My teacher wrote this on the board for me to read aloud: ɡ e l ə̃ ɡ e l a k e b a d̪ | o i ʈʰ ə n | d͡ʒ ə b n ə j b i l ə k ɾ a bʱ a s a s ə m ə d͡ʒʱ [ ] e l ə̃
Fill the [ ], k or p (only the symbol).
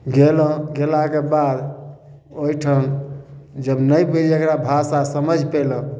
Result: p